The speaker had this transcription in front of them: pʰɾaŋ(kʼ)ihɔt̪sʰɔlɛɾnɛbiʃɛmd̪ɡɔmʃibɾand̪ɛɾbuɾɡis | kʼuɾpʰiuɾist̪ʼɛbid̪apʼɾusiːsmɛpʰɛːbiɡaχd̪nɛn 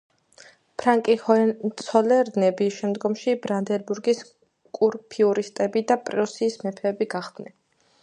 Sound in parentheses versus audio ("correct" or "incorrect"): correct